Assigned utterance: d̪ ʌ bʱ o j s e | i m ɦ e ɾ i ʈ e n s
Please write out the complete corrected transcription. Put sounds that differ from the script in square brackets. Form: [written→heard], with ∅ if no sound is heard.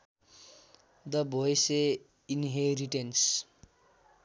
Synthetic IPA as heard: d̪ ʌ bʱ o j s e | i [m→n] ɦ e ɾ i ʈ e n s